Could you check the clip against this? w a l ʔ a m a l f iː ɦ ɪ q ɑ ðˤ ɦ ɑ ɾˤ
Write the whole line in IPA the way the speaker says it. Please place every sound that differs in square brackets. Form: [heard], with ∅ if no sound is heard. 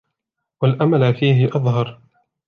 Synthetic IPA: w a l ʔ a m a l f iː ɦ ɪ [ʔ] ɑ ðˤ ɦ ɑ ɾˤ